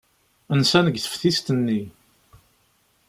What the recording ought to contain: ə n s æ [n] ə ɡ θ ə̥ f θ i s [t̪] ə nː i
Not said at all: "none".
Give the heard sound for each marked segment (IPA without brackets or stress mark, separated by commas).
n, t̪